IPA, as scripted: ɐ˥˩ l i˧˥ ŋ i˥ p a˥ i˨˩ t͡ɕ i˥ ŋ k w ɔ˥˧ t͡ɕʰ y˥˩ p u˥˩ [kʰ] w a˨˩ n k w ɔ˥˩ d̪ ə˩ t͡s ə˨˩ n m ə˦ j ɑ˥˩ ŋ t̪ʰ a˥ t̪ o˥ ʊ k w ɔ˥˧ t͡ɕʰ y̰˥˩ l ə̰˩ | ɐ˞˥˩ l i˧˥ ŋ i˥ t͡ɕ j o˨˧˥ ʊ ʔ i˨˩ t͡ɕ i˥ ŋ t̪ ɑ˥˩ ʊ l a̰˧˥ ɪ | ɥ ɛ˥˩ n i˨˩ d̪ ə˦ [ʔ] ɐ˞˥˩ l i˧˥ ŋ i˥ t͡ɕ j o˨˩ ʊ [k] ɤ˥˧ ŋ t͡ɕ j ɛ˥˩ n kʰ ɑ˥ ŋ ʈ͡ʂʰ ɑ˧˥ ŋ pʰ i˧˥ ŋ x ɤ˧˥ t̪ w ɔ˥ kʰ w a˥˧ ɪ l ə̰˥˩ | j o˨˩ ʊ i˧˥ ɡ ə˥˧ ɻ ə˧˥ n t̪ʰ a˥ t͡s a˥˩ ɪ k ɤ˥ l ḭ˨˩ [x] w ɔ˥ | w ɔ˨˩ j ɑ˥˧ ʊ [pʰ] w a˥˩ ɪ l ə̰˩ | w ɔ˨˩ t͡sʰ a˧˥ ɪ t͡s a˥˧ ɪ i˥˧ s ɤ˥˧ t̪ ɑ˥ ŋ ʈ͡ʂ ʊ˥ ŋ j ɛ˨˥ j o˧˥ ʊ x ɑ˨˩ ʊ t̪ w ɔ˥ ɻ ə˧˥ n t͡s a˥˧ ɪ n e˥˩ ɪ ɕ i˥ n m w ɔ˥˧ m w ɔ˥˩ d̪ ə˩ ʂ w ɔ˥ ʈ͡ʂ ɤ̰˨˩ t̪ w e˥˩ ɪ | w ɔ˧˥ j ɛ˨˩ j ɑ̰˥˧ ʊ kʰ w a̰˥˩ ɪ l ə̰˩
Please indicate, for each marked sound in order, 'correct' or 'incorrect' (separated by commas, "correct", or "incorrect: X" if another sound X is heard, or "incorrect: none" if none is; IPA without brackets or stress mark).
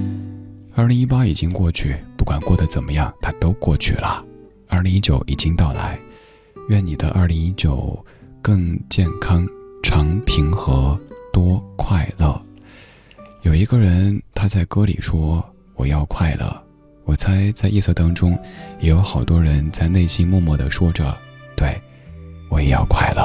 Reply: incorrect: k, correct, correct, incorrect: ʂ, incorrect: kʰ